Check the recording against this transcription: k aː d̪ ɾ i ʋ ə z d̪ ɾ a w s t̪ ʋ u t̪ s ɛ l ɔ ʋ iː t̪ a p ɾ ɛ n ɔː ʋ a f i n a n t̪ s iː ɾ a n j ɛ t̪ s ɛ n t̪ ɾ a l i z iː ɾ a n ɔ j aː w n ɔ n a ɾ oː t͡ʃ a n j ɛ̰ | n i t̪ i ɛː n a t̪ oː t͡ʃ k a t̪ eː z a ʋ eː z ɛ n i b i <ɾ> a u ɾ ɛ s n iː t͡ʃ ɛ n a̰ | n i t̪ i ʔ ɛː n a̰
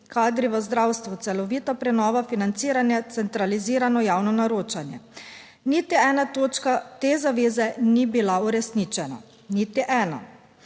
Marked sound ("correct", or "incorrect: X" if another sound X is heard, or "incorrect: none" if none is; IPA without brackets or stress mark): incorrect: l